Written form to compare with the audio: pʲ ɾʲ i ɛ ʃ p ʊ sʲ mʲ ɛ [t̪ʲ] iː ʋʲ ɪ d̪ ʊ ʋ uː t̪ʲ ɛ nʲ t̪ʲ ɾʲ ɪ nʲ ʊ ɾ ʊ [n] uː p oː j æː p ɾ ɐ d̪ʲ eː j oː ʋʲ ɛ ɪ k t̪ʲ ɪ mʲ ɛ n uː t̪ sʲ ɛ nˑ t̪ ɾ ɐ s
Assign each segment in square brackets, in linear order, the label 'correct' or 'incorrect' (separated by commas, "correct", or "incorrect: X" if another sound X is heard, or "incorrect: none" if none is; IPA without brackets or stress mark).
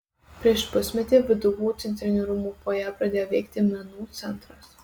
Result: correct, incorrect: m